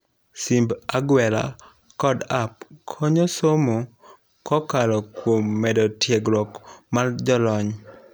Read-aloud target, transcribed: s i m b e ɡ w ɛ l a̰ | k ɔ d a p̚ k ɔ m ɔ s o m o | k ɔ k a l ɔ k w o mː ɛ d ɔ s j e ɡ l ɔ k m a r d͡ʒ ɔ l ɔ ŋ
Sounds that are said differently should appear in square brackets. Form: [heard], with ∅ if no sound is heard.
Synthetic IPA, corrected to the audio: s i m b [a] ɡ w ɛ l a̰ | k ɔ d a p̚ [kʰ] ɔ [ɲ] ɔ s o m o | k ɔ k a l ɔ k w o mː ɛ d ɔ [t] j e ɡ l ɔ k m a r d͡ʒ ɔ l ɔ [ɲ]